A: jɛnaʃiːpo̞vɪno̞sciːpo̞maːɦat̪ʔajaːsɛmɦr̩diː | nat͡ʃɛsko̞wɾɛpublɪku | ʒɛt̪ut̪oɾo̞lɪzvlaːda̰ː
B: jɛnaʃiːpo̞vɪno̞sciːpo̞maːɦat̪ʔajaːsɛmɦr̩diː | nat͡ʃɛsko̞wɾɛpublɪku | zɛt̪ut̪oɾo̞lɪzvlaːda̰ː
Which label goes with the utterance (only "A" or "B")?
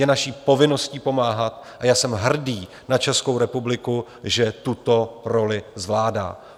A